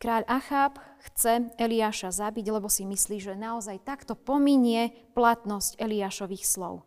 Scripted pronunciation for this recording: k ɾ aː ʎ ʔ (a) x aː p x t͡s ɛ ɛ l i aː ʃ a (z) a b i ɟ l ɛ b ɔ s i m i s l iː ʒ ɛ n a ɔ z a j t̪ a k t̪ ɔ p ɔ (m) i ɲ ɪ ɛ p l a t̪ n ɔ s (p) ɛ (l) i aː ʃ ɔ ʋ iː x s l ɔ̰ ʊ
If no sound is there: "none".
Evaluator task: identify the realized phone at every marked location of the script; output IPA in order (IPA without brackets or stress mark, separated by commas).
a, z, m, c, l